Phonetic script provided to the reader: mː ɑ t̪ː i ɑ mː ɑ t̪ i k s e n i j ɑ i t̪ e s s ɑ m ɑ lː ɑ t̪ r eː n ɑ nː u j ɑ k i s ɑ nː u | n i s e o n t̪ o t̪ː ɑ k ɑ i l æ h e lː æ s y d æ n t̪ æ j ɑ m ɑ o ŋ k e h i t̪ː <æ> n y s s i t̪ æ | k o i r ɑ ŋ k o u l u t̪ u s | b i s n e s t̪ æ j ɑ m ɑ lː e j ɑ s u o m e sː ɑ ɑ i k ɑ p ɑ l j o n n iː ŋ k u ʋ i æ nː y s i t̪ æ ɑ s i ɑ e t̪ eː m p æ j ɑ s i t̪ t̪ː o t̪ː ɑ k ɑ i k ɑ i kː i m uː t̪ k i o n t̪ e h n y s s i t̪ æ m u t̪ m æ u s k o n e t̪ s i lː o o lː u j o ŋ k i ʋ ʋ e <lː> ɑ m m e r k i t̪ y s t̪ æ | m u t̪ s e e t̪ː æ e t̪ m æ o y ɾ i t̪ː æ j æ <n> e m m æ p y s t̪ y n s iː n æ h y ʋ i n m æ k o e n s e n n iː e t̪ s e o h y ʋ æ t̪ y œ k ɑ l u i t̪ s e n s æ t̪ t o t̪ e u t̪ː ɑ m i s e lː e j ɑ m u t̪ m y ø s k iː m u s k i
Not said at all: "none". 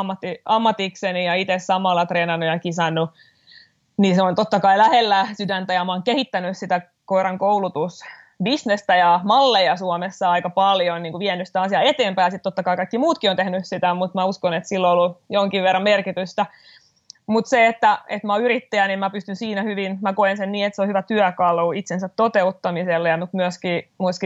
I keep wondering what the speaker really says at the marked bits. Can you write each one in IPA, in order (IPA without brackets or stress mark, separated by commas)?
æ, rː, n